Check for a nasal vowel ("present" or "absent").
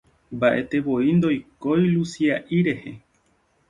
absent